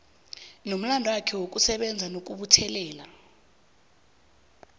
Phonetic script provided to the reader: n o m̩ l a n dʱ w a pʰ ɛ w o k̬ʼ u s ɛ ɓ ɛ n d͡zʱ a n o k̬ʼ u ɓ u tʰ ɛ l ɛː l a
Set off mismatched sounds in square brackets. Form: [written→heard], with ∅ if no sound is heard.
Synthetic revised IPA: n o m̩ l a n dʱ w a [pʰ→kʰ] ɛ w o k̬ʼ u s ɛ ɓ ɛ n d͡zʱ a n o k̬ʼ u ɓ u tʰ ɛ l ɛː l a